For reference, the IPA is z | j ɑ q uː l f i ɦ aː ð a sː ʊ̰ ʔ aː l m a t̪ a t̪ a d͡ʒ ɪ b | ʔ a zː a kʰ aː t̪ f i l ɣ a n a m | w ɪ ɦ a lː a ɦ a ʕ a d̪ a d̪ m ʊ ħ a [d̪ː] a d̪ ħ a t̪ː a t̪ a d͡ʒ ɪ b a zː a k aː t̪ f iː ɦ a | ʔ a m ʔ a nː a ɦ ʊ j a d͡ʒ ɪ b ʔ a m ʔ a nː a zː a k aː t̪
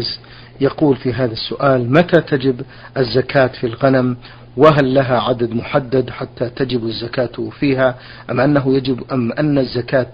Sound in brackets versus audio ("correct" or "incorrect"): correct